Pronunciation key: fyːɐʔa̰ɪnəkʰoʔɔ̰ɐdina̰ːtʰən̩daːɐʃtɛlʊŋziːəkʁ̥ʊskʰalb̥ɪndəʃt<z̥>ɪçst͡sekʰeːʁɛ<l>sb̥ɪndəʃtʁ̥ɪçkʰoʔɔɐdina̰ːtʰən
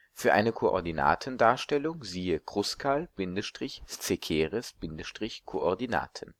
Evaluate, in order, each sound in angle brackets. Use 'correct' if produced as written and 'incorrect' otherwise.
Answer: incorrect: ʁ̥, incorrect: none

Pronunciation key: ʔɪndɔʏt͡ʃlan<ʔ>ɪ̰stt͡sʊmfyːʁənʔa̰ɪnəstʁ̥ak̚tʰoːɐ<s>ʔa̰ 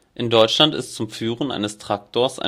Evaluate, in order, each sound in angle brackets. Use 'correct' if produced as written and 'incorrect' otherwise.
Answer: incorrect: t, correct

